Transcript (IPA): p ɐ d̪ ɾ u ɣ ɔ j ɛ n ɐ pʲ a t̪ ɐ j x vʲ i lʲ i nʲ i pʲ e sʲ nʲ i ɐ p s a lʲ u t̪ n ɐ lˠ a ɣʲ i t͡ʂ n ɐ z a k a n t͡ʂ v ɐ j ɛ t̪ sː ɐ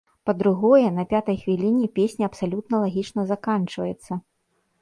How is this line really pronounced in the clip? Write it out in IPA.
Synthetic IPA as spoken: p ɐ d̪ ɾ u ɣ ɔ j ɛ n ɐ pʲ a t̪ ɐ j x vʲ i lʲ i nʲ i pʲ e sʲ nʲ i ɐ p s a lʲ u t̪ n ɐ lˠ a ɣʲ i t͡ʂ n ɐ z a k a n t͡ʂ v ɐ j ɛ t̪ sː ɐ